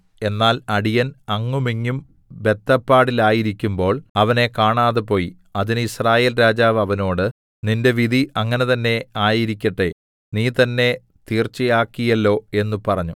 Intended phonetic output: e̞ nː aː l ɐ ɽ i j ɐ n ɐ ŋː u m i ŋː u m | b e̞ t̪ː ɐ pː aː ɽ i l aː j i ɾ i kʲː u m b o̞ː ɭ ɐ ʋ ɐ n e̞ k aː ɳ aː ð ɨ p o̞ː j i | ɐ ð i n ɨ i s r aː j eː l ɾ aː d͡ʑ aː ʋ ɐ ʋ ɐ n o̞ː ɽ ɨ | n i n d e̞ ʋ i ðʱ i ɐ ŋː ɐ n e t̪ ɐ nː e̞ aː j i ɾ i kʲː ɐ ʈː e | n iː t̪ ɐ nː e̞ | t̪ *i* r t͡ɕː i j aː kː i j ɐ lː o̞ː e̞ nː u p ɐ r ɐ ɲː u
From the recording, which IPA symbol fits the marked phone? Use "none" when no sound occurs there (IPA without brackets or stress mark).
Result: iː